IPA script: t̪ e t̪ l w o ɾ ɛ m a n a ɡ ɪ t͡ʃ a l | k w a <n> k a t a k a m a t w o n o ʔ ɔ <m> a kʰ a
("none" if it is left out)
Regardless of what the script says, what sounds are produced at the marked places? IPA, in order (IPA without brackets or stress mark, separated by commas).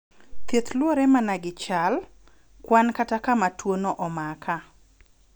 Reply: n, m